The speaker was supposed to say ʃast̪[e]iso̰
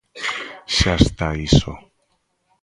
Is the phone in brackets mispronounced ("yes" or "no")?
yes